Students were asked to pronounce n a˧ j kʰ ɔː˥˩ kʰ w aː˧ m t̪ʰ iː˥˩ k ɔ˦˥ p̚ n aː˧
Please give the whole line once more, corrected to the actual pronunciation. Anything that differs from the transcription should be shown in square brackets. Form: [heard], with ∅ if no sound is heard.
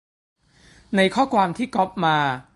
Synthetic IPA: n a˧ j kʰ ɔː˥˩ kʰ w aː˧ m t̪ʰ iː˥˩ k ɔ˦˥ p̚ [m] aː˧

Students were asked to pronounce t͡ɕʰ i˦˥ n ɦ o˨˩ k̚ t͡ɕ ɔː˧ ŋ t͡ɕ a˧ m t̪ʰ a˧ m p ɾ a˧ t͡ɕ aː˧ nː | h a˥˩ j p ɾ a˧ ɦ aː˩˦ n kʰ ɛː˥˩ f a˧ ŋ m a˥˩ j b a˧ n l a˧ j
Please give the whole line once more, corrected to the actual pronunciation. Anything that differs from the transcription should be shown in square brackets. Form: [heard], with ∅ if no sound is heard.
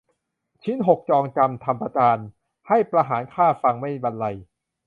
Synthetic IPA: t͡ɕʰ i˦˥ n ɦ o˨˩ k̚ t͡ɕ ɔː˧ ŋ t͡ɕ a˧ m t̪ʰ a˧ m p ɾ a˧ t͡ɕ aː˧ [n] | h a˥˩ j p ɾ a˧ ɦ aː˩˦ n kʰ [aː˥˩] f a˧ ŋ m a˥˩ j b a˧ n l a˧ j

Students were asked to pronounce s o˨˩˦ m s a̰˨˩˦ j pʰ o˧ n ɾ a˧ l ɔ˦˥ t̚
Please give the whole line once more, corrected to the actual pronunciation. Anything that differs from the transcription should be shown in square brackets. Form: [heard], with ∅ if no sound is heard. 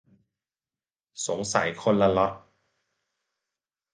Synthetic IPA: s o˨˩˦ [ŋ] s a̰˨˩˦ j [kʰ] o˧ n [l] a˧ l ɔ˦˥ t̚

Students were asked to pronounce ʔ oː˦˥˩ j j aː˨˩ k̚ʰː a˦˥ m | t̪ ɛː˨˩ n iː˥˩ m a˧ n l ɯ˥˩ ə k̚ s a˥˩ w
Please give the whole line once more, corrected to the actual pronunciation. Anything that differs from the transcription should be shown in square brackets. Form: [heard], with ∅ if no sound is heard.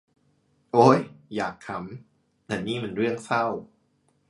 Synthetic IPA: ʔ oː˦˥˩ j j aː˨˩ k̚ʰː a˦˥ m | t̪ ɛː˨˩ n iː˥˩ m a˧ n [ɾ] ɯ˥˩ ə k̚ s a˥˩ w

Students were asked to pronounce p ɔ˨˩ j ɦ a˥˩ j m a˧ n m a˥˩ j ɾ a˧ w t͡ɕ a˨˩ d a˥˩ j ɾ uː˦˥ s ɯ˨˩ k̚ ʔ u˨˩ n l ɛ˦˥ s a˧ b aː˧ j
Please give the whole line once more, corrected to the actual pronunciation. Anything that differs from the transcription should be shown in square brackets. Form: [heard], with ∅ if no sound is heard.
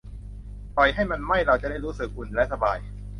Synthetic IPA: p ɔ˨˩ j ɦ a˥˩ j m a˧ n m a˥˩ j ɾ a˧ w t͡ɕ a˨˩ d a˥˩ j ɾ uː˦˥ s ɯ˨˩ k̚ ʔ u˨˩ n l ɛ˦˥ s a˧ b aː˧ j

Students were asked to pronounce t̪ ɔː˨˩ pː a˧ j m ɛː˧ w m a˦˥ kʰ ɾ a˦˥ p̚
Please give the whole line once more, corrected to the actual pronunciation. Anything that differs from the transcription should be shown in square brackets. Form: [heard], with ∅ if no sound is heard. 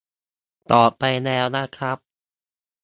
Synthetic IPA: t̪ ɔː˨˩ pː a˧ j [n] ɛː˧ w [n] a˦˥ kʰ ɾ a˦˥ p̚

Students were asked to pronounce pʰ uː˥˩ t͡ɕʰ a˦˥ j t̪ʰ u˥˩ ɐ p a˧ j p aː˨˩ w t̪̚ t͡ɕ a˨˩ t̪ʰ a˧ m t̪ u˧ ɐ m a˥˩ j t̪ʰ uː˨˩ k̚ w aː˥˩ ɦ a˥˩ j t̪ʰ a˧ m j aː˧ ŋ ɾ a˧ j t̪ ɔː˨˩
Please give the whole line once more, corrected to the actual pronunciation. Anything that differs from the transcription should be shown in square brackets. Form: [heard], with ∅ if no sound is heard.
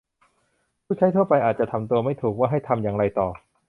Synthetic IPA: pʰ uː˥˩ t͡ɕʰ a˦˥ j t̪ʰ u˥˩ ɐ p a˧ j [ʔ] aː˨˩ [∅] t̪̚ t͡ɕ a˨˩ t̪ʰ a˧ m t̪ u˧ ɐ m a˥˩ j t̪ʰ uː˨˩ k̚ w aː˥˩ ɦ a˥˩ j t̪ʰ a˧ m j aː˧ ŋ ɾ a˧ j t̪ ɔː˨˩

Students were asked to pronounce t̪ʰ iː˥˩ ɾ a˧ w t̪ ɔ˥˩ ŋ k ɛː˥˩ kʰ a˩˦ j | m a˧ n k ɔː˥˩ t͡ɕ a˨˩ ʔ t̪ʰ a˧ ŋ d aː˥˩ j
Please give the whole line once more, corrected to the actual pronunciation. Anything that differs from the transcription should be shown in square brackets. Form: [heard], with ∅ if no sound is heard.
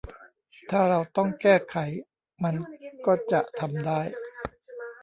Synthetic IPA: t̪ʰ [aː˥˩] ɾ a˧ w t̪ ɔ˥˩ ŋ k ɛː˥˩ kʰ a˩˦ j | m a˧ n k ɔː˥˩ t͡ɕ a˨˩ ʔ t̪ʰ a˧ [m] d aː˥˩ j

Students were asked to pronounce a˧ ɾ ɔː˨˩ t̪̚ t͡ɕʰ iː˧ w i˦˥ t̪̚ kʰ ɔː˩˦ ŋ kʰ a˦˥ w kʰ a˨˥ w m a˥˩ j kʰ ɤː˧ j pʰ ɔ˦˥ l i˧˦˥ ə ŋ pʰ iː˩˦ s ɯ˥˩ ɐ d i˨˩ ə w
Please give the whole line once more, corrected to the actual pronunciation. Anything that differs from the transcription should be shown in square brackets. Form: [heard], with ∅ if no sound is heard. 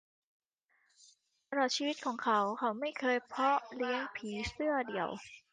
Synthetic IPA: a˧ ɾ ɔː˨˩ t̪̚ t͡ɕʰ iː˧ w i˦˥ t̪̚ kʰ ɔː˩˦ ŋ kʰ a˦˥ w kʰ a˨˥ w m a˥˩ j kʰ ɤː˧ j pʰ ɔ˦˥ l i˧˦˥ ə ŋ pʰ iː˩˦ s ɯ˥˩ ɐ d i˨˩ ə w

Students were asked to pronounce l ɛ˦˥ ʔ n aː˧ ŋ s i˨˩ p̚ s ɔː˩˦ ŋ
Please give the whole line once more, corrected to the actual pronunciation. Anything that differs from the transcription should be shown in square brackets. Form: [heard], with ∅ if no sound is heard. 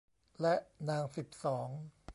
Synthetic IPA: l ɛ˦˥ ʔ n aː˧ ŋ s i˨˩ p̚ s ɔː˩˦ ŋ

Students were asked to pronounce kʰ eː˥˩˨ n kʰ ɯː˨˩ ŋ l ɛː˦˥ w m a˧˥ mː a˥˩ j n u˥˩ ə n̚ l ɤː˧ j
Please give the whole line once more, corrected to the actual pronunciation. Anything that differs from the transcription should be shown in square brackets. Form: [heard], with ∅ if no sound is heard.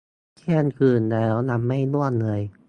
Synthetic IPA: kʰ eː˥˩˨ n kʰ ɯː˨˩ [n] l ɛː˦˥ w [n] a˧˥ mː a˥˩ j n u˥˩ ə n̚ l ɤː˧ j

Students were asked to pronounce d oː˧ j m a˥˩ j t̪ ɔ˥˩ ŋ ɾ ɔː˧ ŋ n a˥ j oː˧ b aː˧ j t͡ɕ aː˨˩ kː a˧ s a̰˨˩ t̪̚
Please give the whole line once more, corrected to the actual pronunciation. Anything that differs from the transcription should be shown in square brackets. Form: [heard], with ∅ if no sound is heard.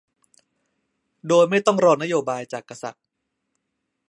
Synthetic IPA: d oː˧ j m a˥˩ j t̪ ɔ˥˩ ŋ ɾ ɔː˧ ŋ n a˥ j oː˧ b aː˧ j t͡ɕ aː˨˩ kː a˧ s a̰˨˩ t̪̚

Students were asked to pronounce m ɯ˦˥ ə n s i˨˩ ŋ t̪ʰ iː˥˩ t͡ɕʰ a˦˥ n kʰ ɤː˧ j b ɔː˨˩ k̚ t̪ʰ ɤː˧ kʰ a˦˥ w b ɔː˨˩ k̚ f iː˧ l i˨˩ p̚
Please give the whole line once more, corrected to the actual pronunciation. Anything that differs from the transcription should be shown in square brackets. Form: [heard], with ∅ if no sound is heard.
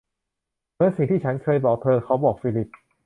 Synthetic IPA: m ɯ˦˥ ə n s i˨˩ ŋ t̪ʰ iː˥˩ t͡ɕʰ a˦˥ n kʰ ɤː˧ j b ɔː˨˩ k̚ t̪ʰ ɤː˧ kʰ a˦˥ w b ɔː˨˩ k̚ f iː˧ l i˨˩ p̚

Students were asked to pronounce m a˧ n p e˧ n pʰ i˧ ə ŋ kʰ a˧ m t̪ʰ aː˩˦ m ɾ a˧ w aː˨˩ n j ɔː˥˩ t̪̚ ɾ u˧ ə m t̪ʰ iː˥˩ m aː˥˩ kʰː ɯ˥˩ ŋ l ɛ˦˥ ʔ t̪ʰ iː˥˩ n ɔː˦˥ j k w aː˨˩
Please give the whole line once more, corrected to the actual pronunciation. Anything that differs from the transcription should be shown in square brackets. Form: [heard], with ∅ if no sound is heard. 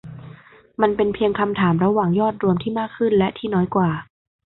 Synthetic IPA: m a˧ n p e˧ n pʰ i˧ ə ŋ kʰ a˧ m t̪ʰ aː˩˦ m ɾ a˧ w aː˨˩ [ŋ] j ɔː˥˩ t̪̚ ɾ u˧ ə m t̪ʰ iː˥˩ m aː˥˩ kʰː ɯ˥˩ [n] l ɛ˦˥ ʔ t̪ʰ iː˥˩ n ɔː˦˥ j k w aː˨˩

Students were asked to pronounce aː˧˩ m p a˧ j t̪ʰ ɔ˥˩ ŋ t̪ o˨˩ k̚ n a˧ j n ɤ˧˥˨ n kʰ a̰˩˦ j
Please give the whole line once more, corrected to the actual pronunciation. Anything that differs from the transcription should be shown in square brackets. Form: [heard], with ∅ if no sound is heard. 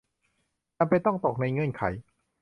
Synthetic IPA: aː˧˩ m p a˧ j [t̪] ɔ˥˩ ŋ t̪ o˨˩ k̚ n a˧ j [ŋ] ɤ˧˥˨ n kʰ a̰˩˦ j

